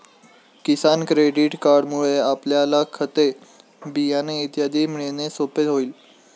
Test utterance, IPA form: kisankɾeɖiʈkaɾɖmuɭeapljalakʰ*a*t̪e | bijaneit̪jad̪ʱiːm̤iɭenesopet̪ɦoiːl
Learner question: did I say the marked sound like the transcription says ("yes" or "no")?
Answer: no